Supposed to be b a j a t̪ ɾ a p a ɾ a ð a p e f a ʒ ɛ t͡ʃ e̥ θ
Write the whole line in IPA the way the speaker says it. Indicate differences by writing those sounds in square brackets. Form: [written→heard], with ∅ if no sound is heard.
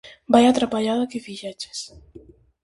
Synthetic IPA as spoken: b a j a t̪ ɾ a p a [ɾ→ʎ] a ð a [p→k] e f [a→i] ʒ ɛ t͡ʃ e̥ [θ→s]